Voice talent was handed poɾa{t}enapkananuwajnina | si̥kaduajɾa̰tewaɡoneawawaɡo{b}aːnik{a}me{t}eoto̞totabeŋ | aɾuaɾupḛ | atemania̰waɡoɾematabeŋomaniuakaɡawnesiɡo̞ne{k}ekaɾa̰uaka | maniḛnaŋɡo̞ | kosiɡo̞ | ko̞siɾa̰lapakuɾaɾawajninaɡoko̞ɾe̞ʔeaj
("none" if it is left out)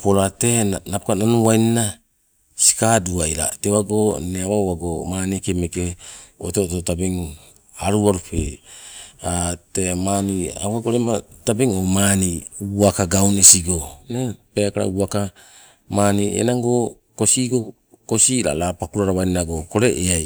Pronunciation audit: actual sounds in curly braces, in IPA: t, m, e, k, p

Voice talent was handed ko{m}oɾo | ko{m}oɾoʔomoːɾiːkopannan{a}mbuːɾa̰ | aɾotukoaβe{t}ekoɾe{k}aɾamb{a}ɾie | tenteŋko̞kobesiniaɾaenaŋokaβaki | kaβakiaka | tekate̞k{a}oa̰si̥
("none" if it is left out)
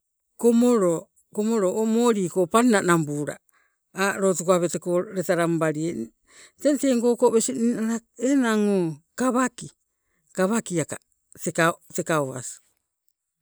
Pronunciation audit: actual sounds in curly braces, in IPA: m, m, a, t, t, a, a

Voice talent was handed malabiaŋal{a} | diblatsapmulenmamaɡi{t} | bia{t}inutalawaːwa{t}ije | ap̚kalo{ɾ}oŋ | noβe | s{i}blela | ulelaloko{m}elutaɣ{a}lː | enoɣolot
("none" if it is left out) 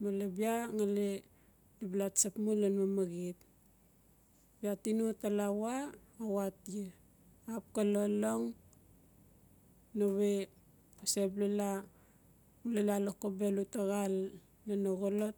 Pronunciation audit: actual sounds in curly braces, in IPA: e, t, t, t, l, e, b, a

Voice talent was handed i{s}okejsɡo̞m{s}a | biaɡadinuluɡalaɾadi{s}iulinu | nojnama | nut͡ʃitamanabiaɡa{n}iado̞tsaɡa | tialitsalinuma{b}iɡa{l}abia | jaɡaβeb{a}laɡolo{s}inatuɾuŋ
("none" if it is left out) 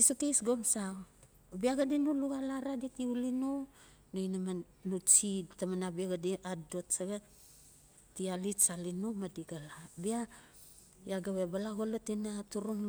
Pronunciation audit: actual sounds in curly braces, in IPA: s, s, t, d, d, l, a, t

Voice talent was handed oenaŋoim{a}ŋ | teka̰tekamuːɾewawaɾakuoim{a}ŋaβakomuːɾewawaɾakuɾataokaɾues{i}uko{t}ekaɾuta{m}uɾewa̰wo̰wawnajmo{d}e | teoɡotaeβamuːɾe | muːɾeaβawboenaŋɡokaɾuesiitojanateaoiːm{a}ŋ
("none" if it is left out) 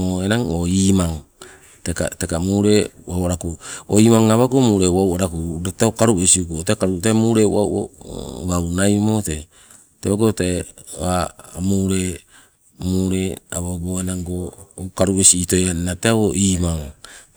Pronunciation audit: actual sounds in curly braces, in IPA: a, a, i, t, m, t, a

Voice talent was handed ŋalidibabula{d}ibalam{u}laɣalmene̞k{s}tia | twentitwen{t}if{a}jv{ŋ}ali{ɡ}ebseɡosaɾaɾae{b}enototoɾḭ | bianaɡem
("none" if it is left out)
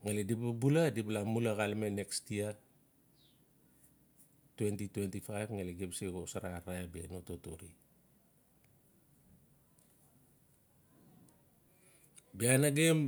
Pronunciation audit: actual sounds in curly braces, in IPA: d, u, s, t, a, ŋ, ɡ, b

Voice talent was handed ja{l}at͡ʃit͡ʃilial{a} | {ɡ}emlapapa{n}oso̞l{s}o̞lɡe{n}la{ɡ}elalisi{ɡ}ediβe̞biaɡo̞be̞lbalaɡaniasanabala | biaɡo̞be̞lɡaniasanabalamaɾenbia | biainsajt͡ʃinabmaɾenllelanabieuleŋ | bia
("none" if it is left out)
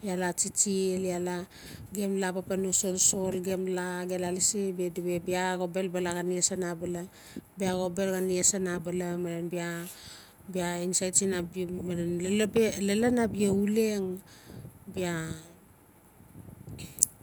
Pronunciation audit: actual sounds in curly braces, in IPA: l, a, ɡ, n, s, m, ɡ, b

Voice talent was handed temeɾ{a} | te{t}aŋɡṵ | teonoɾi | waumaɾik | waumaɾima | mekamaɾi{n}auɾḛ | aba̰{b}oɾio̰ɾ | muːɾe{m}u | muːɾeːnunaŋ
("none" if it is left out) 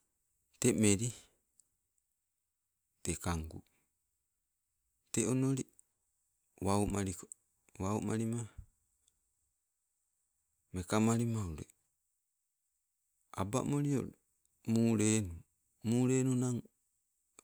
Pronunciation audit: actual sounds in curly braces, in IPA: i, k, m, m, n

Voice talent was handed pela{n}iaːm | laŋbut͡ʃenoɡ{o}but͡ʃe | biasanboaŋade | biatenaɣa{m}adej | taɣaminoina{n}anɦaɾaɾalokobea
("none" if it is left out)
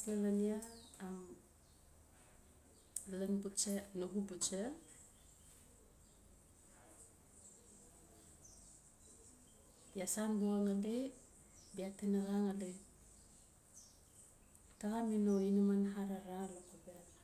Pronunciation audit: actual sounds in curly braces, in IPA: n, u, ŋ, m

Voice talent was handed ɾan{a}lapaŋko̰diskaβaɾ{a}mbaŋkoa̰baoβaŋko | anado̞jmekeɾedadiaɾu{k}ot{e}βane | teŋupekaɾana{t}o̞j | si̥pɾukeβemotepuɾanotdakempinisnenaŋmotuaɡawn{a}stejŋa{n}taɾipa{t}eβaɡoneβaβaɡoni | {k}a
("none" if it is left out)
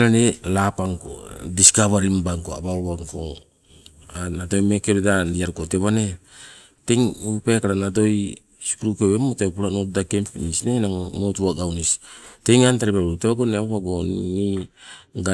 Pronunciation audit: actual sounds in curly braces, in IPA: e, i, k, e, d, i, n, t, ɡ

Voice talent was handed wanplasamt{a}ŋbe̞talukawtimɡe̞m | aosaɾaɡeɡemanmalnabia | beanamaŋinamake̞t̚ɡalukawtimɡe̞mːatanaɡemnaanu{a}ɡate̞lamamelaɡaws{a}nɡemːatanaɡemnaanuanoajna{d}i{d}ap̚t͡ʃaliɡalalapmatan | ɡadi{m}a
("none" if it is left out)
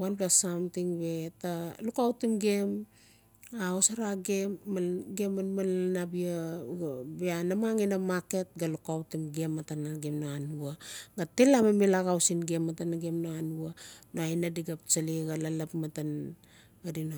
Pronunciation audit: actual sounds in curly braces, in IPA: i, a, i, d, ɡ, n

